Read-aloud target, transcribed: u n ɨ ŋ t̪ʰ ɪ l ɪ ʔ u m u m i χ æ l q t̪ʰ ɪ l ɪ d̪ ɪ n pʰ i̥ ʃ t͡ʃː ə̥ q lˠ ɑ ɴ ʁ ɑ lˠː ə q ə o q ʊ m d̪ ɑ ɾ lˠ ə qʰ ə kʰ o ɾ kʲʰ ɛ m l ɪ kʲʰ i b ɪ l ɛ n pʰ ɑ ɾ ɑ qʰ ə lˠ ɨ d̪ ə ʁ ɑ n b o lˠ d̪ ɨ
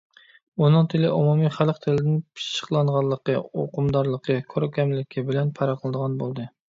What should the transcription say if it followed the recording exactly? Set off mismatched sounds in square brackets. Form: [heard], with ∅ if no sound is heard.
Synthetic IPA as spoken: u n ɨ ŋ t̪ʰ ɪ l ɪ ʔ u m u m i χ æ l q t̪ʰ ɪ l ɪ d̪ ɪ n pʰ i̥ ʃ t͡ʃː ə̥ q lˠ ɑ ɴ ʁ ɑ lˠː ə q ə o q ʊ m d̪ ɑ ɾ lˠ ə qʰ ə kʰ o ɾ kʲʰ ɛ m l ɪ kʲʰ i b ɪ l ɛ n pʰ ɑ ɾ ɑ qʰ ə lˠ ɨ d̪ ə ʁ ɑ n b o lˠ d̪ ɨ